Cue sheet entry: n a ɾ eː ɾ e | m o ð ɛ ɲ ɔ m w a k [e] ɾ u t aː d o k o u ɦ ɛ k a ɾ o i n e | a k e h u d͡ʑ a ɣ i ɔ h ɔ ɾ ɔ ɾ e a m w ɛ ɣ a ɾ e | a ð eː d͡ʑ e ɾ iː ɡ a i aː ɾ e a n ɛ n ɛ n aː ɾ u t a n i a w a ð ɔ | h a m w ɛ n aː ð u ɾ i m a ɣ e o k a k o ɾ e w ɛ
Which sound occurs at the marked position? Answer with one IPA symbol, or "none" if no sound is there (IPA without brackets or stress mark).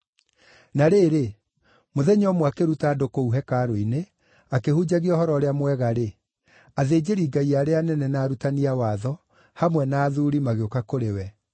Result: e